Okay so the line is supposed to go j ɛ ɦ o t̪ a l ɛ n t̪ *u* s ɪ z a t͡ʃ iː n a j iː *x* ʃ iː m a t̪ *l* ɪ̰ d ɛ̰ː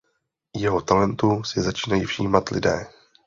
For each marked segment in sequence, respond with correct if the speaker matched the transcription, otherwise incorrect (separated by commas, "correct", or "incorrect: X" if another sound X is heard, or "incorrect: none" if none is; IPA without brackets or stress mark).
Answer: correct, incorrect: f, correct